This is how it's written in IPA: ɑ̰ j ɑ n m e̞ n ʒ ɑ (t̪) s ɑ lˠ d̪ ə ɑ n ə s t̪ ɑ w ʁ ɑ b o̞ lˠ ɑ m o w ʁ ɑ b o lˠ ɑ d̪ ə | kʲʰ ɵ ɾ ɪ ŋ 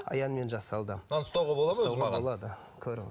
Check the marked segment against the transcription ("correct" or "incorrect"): incorrect